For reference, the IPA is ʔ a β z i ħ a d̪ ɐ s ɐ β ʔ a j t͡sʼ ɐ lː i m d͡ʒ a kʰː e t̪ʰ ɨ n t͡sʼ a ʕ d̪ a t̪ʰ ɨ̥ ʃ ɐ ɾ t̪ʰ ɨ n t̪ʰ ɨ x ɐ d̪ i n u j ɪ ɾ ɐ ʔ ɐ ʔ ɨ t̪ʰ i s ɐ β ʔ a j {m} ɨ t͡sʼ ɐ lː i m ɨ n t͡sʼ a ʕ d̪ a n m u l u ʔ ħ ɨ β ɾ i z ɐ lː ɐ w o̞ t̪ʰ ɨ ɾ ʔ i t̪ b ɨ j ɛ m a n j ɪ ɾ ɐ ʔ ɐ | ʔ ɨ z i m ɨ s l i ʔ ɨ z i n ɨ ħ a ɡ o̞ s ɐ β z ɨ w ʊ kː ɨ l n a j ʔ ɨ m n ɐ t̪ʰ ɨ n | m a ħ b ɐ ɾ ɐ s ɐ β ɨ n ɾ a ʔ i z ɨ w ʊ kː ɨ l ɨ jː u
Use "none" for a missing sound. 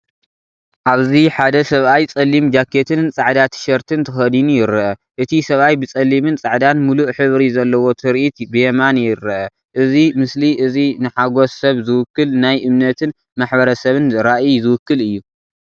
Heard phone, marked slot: b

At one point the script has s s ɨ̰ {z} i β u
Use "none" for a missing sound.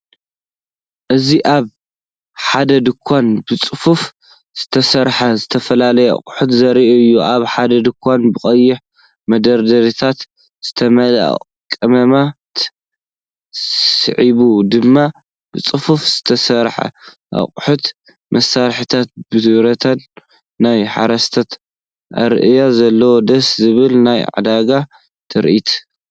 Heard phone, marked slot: ʕ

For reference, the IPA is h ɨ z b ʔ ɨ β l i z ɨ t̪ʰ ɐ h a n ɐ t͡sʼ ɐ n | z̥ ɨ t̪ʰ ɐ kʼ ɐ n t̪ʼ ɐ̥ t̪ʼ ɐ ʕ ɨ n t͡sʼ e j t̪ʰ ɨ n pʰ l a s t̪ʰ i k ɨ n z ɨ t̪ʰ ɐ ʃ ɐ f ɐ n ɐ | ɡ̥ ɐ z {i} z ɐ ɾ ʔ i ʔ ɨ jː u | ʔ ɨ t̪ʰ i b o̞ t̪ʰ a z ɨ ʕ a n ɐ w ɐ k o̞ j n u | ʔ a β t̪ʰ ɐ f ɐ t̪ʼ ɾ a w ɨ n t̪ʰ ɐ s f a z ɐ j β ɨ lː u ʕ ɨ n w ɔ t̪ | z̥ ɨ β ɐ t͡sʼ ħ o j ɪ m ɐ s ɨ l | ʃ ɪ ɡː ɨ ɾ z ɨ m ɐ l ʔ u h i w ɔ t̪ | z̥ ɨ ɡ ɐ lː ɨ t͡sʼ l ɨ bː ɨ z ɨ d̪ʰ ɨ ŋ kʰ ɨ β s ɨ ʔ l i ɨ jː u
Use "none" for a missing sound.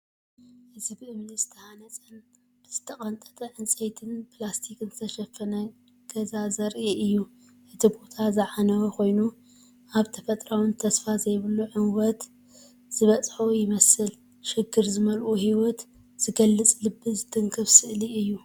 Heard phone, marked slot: a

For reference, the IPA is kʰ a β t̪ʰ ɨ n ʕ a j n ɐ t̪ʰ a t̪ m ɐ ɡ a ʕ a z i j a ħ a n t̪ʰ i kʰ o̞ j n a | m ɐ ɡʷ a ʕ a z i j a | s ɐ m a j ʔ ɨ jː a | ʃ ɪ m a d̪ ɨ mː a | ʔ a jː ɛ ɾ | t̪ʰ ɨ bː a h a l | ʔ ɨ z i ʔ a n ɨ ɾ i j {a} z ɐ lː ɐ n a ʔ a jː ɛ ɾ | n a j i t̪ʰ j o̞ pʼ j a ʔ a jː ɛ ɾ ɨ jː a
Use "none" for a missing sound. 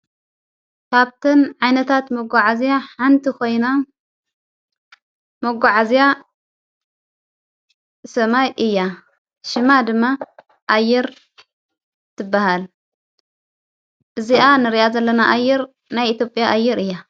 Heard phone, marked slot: a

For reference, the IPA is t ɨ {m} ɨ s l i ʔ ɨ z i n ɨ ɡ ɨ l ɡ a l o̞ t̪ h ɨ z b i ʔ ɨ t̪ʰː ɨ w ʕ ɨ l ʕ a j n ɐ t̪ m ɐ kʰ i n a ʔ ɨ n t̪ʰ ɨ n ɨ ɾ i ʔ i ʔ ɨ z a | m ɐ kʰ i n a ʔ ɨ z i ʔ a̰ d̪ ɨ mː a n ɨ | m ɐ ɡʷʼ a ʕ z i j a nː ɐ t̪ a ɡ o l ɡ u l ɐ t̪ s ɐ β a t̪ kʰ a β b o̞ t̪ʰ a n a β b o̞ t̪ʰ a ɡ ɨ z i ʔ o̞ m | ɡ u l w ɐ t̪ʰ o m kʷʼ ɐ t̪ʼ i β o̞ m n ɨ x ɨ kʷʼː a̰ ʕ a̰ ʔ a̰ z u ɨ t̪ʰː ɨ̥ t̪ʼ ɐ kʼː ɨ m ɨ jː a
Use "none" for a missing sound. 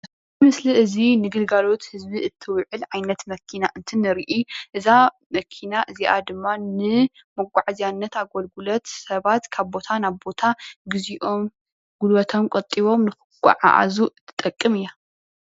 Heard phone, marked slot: m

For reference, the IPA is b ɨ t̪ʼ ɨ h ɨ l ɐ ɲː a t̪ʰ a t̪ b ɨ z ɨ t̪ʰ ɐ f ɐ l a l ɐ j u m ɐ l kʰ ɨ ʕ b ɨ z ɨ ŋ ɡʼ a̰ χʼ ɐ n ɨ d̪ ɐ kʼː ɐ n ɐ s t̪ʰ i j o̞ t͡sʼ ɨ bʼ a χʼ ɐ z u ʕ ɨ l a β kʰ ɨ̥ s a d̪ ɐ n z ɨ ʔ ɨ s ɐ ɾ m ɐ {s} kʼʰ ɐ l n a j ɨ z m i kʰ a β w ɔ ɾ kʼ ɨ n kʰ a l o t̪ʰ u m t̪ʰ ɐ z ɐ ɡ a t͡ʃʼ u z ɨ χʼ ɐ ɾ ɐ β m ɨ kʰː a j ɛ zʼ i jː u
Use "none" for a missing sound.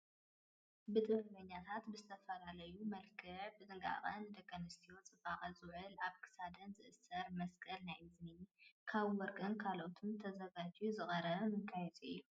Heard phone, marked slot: s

